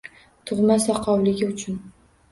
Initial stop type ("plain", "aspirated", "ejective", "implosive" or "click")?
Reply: aspirated